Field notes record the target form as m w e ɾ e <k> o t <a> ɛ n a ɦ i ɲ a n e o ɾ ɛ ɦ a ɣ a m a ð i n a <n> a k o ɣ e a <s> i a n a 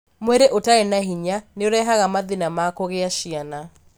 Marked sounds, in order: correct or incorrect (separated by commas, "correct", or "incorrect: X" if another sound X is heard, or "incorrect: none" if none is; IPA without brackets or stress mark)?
incorrect: ʔ, correct, incorrect: m, incorrect: ʃ